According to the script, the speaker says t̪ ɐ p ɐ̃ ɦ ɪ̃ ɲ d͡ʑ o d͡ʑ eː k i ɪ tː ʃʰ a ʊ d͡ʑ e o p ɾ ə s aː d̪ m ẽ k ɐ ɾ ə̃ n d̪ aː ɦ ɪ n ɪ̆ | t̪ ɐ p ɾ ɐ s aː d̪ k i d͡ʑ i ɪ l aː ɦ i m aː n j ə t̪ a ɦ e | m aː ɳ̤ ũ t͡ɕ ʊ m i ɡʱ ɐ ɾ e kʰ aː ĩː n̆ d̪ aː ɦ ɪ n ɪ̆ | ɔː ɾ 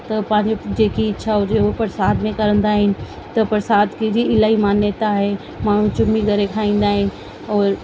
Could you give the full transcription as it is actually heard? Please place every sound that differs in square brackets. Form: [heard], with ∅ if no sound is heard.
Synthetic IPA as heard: t̪ ɐ p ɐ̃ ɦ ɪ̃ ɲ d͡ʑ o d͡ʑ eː k i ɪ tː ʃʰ a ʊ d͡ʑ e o p ɾ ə s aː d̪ m ẽ k ɐ ɾ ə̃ n d̪ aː ɦ ɪ n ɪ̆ | t̪ ɐ p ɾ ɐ s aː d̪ k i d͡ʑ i ɪ l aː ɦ i m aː n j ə t̪ a ɦ e | m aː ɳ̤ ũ t͡ɕ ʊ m i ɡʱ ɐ ɾ e kʰ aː ĩː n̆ d̪ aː ɦ ɪ n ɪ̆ | ɔː ɾ